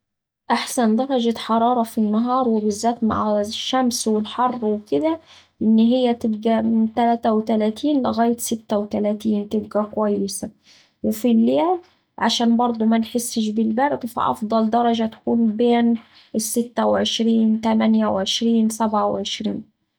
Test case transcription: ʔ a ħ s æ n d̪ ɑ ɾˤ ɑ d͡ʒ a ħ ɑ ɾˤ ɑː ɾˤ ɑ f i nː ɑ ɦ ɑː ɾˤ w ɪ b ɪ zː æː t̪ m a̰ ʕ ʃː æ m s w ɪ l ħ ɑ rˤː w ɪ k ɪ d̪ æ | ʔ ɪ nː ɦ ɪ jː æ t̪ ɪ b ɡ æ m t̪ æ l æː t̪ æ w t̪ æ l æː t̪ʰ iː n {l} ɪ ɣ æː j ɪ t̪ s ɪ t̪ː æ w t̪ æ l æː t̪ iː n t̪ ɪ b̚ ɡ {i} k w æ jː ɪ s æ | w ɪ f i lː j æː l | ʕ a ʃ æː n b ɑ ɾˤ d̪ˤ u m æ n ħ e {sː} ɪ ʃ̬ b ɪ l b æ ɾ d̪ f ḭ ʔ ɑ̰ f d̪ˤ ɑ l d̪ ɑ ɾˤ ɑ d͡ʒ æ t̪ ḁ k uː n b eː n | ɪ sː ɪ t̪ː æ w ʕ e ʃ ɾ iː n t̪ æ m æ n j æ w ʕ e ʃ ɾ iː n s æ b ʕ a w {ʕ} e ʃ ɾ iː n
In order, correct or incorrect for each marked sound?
correct, incorrect: æ, correct, correct

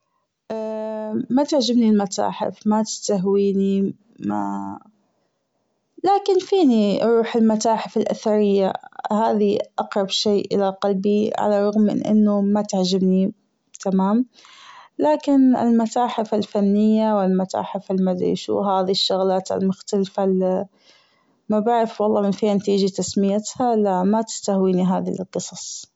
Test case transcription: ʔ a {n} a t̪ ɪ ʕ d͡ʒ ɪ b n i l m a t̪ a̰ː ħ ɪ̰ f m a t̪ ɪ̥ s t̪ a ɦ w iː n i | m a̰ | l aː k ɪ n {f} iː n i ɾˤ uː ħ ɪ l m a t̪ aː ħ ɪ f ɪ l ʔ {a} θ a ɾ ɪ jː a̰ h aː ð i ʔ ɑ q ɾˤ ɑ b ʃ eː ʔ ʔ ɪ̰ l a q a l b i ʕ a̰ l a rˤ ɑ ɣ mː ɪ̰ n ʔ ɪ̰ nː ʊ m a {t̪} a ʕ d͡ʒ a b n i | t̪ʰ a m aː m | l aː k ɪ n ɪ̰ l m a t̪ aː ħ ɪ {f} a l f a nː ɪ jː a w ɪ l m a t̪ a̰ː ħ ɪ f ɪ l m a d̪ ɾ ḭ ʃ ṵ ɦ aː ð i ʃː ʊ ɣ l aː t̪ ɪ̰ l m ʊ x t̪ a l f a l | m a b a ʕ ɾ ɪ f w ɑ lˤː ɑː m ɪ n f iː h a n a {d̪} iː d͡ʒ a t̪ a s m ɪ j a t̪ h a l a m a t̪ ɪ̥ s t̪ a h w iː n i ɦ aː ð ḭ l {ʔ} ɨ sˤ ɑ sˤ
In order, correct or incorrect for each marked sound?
incorrect: m, correct, correct, correct, correct, incorrect: t̪, incorrect: q

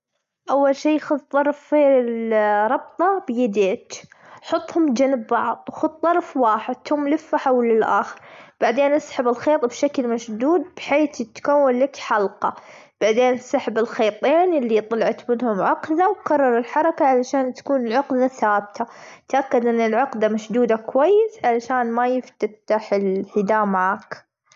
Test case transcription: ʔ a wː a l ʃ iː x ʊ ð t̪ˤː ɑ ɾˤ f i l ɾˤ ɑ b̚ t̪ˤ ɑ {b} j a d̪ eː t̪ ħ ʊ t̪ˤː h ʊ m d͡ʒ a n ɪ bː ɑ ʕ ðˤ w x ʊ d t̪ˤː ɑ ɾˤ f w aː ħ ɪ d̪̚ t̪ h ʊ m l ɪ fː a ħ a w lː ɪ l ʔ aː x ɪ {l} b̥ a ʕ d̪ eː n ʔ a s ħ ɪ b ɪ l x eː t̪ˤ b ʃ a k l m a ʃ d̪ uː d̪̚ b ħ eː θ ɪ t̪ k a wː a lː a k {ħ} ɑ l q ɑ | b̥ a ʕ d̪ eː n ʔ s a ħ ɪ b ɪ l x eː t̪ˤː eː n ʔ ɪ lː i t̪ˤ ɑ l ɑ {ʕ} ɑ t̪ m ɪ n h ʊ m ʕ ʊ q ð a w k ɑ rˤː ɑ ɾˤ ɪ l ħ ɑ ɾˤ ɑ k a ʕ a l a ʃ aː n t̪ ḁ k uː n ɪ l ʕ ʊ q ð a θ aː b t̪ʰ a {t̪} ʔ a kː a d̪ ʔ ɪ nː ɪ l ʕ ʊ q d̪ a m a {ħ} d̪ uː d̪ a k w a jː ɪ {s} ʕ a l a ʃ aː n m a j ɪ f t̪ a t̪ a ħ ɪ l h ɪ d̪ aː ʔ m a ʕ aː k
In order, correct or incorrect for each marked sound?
correct, incorrect: ɾ, correct, correct, correct, incorrect: ʃ, correct

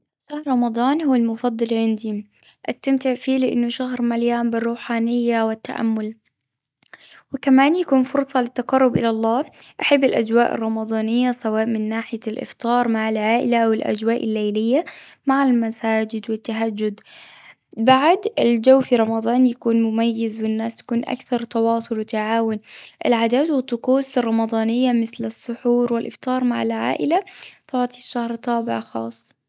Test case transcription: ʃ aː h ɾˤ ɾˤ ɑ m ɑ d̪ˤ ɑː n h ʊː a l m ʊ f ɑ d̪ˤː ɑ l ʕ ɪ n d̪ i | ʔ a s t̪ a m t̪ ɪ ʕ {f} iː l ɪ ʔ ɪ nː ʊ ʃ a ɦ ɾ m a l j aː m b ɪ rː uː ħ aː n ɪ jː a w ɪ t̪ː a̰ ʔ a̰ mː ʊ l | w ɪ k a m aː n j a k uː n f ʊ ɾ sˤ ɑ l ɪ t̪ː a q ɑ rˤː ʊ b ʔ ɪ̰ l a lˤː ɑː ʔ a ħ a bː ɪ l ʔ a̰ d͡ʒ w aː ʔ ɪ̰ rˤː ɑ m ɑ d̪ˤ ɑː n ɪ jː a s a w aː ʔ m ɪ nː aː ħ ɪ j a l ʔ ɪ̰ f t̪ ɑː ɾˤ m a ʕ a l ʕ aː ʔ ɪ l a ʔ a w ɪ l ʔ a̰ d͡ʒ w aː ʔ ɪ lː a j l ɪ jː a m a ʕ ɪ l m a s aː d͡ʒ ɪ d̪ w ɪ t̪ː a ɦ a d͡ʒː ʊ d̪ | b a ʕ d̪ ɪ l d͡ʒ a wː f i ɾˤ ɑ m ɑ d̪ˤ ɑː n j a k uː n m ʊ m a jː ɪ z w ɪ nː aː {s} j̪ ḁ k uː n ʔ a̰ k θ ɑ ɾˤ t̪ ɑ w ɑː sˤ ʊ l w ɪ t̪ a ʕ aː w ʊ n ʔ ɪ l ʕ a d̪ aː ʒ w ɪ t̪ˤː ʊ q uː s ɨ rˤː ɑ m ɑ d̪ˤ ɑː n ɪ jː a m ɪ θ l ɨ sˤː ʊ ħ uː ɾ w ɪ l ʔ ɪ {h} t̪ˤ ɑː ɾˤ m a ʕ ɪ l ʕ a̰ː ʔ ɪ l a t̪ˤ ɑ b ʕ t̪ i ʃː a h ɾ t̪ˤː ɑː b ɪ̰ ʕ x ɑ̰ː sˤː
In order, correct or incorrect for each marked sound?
correct, correct, incorrect: f

